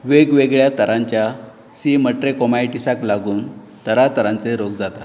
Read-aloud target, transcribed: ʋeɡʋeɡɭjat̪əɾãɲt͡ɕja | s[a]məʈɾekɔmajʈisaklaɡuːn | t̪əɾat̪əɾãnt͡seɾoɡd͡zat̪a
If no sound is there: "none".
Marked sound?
i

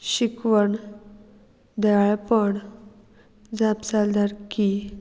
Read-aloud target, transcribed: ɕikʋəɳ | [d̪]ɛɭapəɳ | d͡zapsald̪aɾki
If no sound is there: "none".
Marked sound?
d̪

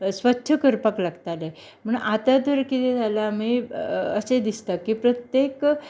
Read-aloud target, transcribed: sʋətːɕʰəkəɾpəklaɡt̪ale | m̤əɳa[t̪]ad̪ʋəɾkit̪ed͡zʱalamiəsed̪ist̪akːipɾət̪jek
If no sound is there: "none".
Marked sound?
t̪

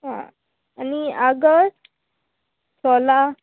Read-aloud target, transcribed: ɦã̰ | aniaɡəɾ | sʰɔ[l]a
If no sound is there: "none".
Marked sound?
l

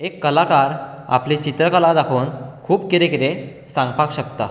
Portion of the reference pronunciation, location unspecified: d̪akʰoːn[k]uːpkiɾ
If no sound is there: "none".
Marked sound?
kʰ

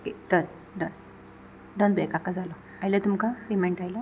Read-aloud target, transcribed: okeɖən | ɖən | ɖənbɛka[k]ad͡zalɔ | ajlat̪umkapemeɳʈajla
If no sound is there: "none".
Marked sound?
k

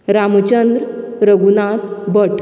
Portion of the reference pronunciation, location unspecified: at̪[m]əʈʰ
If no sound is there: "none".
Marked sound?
b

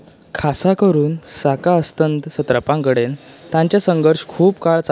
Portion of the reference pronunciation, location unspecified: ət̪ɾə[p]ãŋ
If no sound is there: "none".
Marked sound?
p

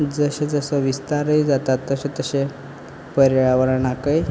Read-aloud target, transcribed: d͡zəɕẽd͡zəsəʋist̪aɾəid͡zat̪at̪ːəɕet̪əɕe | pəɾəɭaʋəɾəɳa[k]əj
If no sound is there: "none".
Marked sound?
k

